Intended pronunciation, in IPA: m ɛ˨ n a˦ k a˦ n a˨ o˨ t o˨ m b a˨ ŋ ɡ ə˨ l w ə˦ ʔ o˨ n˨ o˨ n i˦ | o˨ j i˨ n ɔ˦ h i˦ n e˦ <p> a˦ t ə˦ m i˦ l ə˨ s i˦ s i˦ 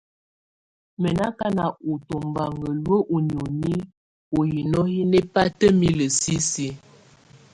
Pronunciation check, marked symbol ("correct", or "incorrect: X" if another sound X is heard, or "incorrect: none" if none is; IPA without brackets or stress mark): correct